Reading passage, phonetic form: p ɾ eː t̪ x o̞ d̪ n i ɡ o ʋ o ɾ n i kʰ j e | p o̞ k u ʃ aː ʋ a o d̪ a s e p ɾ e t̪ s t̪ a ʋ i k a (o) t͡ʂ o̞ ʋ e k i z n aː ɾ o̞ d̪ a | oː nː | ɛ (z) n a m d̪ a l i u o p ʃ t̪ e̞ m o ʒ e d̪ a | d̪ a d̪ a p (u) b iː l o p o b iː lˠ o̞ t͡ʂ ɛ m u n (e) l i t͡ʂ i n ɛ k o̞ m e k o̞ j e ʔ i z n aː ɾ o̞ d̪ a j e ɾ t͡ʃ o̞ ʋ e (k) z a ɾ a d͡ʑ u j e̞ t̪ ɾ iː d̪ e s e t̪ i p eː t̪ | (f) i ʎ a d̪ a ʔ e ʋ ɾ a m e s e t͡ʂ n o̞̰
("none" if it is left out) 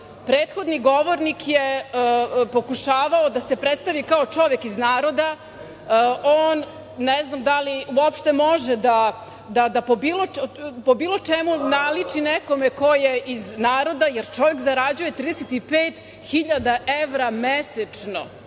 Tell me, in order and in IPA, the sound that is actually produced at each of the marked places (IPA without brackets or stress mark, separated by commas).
o, z, o, a, k, x